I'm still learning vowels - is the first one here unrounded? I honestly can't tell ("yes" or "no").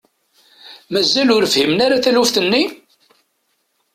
yes